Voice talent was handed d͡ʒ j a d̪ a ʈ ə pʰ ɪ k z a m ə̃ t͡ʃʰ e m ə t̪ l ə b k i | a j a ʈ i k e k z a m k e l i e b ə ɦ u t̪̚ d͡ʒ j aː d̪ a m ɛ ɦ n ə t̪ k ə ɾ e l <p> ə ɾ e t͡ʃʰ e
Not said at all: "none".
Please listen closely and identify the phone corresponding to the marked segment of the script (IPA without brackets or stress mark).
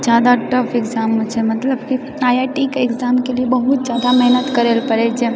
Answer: p